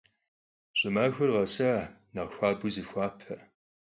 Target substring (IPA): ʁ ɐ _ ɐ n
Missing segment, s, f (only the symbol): s